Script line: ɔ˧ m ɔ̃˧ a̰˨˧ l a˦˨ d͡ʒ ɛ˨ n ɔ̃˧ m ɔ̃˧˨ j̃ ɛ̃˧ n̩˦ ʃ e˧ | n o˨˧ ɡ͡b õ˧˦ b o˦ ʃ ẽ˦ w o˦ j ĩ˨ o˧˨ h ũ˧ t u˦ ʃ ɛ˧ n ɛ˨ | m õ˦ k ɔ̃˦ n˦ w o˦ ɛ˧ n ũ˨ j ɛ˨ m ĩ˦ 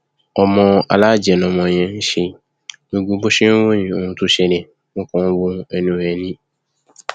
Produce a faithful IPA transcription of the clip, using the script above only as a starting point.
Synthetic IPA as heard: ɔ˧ m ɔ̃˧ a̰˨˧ l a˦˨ d͡ʒ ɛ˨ n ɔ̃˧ m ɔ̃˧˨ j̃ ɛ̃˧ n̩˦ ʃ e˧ | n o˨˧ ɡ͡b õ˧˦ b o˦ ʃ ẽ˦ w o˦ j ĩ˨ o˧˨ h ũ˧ t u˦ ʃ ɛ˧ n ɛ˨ | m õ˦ k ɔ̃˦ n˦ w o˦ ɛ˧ n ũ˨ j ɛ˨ n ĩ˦